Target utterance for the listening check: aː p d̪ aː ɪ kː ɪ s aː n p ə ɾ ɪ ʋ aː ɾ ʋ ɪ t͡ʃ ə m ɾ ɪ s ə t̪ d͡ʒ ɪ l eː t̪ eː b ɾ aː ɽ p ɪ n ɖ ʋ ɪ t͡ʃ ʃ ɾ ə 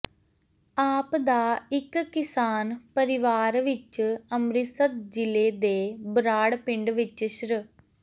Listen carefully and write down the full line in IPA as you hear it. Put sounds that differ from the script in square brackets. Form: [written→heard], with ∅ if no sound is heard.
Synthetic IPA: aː p d̪ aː ɪ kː ɪ s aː n p ə ɾ ɪ ʋ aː ɾ ʋ ɪ t͡ʃ ə m ɾ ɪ s ə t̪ d͡ʒ ɪ l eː [t̪→d̪] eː b ɾ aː ɽ p ɪ [n→ɳ] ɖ ʋ ɪ t͡ʃ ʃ ɾ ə